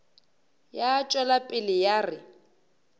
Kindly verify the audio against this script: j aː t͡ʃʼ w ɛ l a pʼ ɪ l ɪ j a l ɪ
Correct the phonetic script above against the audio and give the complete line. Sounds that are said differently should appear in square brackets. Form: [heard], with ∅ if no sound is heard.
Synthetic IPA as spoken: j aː t͡ʃʼ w ɛ l a pʼ ɪ l ɪ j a [r] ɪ